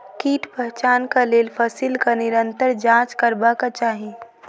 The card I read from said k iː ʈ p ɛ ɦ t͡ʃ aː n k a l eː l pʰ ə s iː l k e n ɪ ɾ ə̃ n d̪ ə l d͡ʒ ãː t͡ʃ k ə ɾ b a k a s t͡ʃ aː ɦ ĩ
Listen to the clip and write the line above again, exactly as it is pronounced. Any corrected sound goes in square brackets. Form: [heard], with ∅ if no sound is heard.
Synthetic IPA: k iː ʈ p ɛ ɦ t͡ʃ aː n k a l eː l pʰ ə s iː l k [a] n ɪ ɾ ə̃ n [t̪] ə [ɾ] d͡ʒ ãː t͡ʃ k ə ɾ b a k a [∅] t͡ʃ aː ɦ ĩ